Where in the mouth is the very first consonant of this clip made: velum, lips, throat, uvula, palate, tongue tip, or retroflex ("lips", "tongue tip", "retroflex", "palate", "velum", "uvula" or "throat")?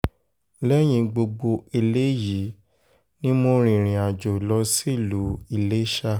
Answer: tongue tip